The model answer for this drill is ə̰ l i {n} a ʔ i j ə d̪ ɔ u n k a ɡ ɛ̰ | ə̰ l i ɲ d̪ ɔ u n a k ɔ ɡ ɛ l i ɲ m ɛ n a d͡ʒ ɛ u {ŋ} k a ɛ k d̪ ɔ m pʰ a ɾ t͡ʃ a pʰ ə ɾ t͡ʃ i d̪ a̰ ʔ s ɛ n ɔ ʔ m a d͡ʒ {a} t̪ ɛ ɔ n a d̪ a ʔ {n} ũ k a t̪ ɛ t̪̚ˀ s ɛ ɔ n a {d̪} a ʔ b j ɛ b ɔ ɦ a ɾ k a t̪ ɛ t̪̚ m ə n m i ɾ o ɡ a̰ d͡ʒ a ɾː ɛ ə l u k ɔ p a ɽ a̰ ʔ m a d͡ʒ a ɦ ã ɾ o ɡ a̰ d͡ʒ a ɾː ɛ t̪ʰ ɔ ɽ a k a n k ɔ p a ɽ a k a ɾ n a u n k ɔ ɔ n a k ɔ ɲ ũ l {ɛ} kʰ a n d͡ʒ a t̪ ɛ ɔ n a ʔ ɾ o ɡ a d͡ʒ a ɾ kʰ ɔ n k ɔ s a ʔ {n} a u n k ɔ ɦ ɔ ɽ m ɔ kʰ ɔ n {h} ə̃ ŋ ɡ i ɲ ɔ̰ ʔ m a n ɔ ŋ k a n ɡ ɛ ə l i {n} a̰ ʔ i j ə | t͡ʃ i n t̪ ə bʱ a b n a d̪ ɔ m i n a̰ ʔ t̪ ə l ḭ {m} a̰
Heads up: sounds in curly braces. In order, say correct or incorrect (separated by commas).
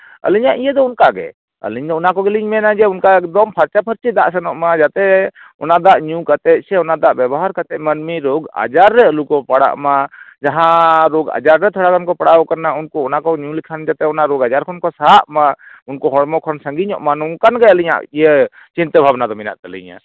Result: incorrect, incorrect, correct, incorrect, correct, incorrect, incorrect, incorrect, incorrect, incorrect